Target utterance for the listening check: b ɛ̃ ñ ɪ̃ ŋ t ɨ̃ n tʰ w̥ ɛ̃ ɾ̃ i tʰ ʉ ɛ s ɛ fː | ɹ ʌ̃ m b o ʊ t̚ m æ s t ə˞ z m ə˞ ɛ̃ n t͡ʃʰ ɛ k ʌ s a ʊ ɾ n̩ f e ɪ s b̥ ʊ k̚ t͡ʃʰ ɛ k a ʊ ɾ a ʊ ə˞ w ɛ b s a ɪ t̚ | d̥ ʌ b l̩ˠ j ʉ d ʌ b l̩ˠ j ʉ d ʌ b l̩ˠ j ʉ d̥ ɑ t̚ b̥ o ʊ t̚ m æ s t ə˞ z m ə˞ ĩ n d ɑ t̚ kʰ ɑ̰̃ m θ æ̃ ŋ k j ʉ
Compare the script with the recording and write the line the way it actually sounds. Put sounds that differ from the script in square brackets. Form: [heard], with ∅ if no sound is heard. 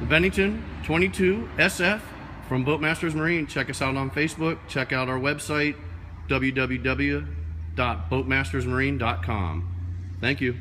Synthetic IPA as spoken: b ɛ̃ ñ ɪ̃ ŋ t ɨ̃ n tʰ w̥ ɛ̃ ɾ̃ i tʰ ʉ ɛ s ɛ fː | ɹ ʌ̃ m b o ʊ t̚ m æ s t ə˞ z m ə˞ [ĩ] n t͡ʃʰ ɛ k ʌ s a ʊ ɾ n̩ f e ɪ s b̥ ʊ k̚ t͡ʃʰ ɛ k a ʊ ɾ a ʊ ə˞ w ɛ b s a ɪ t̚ | d̥ ʌ b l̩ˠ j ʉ d ʌ b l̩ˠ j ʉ d ʌ b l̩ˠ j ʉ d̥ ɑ t̚ b̥ o ʊ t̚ m æ s t ə˞ z m ə˞ ĩ n d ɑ t̚ kʰ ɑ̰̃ m θ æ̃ ŋ k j ʉ

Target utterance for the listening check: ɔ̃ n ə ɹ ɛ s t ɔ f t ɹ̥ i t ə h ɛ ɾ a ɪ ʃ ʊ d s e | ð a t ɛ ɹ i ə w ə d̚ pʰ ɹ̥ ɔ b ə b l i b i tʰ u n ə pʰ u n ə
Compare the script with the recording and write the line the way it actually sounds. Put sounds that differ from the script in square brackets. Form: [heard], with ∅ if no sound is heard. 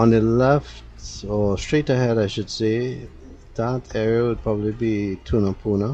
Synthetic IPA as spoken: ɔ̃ n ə [l] ɛ [f] t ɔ [s] t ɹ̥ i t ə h ɛ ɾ a ɪ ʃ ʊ d s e | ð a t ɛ ɹ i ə w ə d̚ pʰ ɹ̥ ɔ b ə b l i b i tʰ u n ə pʰ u n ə

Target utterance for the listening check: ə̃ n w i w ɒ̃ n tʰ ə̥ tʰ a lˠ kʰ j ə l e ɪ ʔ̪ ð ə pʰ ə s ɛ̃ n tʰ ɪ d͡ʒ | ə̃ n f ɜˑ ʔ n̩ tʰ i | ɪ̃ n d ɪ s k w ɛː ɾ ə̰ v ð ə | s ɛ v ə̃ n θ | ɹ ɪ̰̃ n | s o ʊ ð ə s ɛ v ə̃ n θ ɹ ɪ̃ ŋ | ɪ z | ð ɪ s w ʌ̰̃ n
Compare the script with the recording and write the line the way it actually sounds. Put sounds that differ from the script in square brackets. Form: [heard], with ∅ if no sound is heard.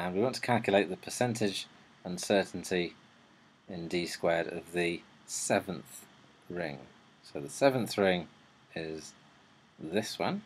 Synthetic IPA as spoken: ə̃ n w i w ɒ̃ n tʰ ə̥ [kʰ] a lˠ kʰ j ə l e ɪ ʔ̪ ð ə pʰ ə s ɛ̃ n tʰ ɪ d͡ʒ | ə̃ n [s] ɜˑ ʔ n̩ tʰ i | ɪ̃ n d [i] s k w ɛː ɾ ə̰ v ð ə | s ɛ v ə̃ n θ | ɹ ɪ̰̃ [ŋ] | s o ʊ ð ə s ɛ v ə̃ n θ ɹ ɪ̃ ŋ | ɪ z | ð ɪ s w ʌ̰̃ n

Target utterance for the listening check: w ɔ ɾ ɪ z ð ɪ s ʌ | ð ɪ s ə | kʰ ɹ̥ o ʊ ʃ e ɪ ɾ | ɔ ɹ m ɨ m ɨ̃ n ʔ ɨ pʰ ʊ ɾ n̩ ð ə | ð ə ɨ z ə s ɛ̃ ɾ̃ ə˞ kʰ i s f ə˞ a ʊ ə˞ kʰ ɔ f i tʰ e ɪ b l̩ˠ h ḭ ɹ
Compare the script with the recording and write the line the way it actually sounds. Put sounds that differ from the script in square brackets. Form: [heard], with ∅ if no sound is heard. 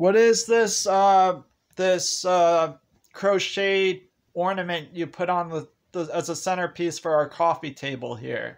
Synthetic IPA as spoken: w [ʌ] ɾ ɪ z ð ɪ s ʌ | ð ɪ s [ʌ] | kʰ ɹ̥ o ʊ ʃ e ɪ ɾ | ɔ ɹ [n] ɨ m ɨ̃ n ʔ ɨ pʰ ʊ ɾ n̩ ð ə | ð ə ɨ z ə s ɛ̃ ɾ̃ ə˞ [pʰ] i s f ə˞ a ʊ ə˞ kʰ ɔ f i tʰ e ɪ b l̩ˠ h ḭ ɹ

